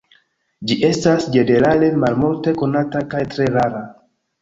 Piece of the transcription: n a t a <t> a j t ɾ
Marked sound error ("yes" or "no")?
yes